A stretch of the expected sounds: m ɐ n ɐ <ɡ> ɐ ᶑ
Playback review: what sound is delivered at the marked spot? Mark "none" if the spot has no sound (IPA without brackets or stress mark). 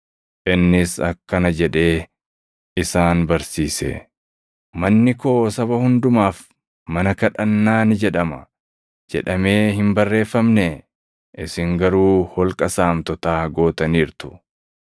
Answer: k